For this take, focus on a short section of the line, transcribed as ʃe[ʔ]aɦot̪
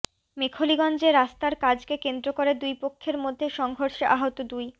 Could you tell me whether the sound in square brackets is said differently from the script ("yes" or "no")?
no